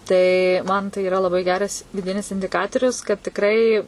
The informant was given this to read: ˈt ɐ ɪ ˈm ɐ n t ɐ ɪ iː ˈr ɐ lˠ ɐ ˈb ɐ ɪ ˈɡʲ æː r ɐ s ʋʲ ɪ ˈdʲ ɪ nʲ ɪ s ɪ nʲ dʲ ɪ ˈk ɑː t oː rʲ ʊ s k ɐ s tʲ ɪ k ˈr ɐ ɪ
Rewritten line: ˈt ɐ ɪ ˈm ɐ n t ɐ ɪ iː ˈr ɐ lˠ ɐ ˈb ɐ ɪ ˈɡʲ æː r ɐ s ʋʲ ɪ ˈdʲ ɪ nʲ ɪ s ɪ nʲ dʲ ɪ ˈk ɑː t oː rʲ ʊ s k ɐ t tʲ ɪ k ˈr ɐ ɪ